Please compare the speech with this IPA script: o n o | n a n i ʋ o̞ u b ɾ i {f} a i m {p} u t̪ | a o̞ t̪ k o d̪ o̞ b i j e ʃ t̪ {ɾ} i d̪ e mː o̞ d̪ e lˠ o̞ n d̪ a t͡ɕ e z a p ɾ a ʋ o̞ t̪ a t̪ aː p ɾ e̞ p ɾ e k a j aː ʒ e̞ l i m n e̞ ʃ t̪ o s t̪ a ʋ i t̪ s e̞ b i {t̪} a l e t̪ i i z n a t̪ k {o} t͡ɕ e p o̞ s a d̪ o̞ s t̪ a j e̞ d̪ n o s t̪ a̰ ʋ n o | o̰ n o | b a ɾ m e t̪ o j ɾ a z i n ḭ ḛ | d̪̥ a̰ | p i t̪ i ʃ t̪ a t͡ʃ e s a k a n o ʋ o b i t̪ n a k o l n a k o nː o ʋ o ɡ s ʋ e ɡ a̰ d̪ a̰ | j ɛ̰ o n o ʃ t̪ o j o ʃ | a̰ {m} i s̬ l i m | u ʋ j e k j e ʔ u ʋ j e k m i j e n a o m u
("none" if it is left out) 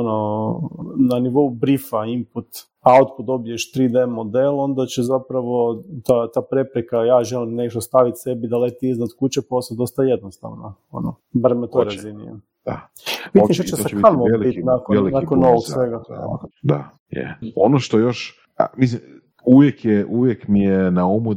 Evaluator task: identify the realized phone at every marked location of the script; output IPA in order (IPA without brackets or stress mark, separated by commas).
f, p, ɾ, d̪, u, m